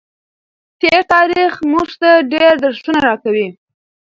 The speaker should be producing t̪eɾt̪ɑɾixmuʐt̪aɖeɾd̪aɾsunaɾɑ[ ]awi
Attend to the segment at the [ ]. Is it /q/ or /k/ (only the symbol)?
k